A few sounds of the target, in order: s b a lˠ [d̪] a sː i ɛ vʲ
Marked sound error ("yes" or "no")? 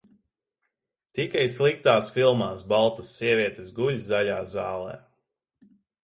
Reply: yes